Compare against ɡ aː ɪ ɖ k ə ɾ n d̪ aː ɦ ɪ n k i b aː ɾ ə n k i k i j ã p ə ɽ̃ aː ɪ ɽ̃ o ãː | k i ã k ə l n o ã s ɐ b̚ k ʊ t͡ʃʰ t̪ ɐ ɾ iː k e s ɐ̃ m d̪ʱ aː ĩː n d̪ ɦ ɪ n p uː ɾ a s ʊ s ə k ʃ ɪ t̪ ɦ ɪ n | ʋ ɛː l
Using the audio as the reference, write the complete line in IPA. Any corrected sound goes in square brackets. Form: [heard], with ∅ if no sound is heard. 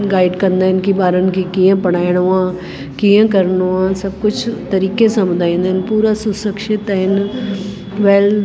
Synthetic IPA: ɡ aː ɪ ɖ k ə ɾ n d̪ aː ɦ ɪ n k i b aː ɾ ə n k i k i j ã p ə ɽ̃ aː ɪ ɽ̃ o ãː | k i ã k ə [ɾ] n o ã s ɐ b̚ k ʊ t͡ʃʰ t̪ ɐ ɾ iː k e s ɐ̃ m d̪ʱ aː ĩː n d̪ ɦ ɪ n p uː ɾ a s ʊ s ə k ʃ ɪ t̪ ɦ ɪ n | ʋ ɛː l

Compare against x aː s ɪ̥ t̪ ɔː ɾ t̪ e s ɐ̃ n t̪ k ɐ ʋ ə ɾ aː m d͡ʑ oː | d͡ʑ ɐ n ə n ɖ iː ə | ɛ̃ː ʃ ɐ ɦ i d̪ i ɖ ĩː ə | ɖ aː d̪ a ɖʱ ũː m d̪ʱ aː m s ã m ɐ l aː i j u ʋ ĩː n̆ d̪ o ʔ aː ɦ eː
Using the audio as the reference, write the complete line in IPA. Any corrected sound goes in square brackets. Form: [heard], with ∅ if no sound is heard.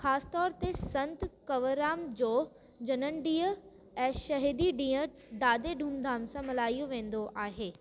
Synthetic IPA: x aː s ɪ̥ t̪ ɔː ɾ t̪ e s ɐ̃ n t̪ k ɐ ʋ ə ɾ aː m d͡ʑ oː | d͡ʑ ɐ n ə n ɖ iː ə | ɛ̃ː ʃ ɐ ɦ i d̪ i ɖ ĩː ə | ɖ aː d̪ [e] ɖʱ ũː m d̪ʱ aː m s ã m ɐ l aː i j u ʋ [ẽː] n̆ d̪ o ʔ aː ɦ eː

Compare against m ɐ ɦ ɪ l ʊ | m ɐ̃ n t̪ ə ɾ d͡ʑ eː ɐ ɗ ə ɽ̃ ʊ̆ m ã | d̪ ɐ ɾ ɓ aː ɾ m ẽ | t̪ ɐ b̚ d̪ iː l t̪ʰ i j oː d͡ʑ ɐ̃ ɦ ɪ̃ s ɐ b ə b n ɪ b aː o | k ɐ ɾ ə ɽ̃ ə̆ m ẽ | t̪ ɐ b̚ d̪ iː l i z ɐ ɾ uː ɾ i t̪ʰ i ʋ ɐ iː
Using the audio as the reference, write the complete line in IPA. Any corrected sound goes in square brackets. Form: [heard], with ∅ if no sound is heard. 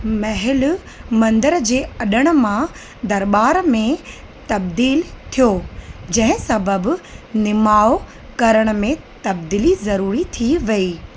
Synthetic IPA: m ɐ ɦ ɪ l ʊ | m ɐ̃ n [d̪] ə ɾ d͡ʑ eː ɐ ɗ ə ɽ̃ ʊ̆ m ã | d̪ ɐ ɾ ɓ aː ɾ m ẽ | t̪ ɐ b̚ d̪ iː l t̪ʰ i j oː d͡ʑ ɐ̃ ɦ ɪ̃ s ɐ b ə b n ɪ [m] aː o | k ɐ ɾ ə ɽ̃ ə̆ m ẽ | t̪ ɐ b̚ d̪ iː l i z ɐ ɾ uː ɾ i t̪ʰ i ʋ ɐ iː

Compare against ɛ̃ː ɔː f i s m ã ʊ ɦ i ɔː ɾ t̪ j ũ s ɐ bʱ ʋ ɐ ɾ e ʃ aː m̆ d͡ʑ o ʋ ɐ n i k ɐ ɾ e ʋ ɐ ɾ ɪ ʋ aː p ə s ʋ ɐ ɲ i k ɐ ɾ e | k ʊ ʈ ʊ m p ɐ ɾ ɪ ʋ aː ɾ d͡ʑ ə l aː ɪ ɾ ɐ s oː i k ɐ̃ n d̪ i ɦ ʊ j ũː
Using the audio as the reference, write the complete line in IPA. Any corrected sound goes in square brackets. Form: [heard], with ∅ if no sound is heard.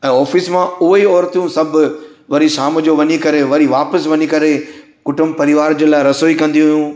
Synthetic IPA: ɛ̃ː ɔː f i s m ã ʊ ɦ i ɔː ɾ t̪ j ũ s ɐ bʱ ʋ ɐ ɾ [i] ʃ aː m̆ d͡ʑ o ʋ ɐ [ɲ] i k ɐ ɾ e ʋ ɐ ɾ [i] ʋ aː p ə s ʋ ɐ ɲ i k ɐ ɾ e | k ʊ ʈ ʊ m p ɐ ɾ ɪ ʋ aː ɾ d͡ʑ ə l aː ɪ ɾ ɐ s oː i k ɐ̃ n d̪ i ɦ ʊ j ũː

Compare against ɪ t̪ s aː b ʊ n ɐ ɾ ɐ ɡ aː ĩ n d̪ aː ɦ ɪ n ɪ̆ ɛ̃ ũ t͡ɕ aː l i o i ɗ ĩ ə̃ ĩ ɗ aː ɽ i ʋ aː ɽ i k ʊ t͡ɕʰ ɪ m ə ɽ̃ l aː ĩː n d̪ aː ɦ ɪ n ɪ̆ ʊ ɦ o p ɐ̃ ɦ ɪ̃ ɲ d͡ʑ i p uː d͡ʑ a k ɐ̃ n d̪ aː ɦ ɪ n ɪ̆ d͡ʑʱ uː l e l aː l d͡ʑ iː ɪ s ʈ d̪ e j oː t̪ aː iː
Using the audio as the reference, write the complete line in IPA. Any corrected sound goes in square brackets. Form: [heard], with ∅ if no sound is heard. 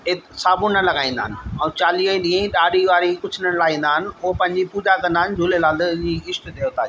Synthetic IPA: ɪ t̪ s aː b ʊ n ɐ [l] ɐ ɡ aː ĩ n d̪ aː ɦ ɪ n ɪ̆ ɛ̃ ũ t͡ɕ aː l i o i ɗ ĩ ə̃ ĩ ɗ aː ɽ i ʋ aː [ɾ] i k ʊ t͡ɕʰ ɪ [n] ə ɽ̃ l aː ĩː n d̪ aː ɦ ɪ n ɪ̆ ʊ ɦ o p ɐ̃ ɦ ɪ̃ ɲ d͡ʑ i p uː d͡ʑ a k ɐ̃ n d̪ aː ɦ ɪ n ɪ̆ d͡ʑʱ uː l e l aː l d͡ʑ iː ɪ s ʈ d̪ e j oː t̪ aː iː

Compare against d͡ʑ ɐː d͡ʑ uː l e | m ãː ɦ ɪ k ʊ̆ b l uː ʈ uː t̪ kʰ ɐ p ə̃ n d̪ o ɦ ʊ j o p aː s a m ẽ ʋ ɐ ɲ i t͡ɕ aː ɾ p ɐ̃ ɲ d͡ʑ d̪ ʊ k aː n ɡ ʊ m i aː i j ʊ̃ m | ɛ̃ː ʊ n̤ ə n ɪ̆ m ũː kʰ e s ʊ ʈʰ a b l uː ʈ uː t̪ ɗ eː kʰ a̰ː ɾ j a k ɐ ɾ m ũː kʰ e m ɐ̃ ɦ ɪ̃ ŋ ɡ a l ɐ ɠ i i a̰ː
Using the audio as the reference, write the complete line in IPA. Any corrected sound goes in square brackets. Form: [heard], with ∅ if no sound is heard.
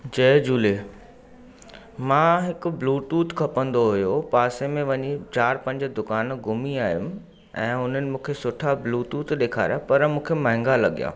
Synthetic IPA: d͡ʑ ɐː d͡ʑ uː l e | m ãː ɦ ɪ k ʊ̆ b l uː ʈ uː t̪ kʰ ɐ p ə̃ n d̪ o ɦ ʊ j o p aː s [e] m ẽ ʋ ɐ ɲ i t͡ɕ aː ɾ p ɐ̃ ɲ d͡ʑ d̪ ʊ k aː n ɡ ʊ m i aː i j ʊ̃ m | ɛ̃ː ʊ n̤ ə n ɪ̆ m ũː kʰ e s ʊ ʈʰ a b l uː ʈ uː t̪ ɗ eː kʰ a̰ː ɾ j a [p] ɐ ɾ m ũː kʰ e m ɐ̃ ɦ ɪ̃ ŋ ɡ a l ɐ ɠ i [j] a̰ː

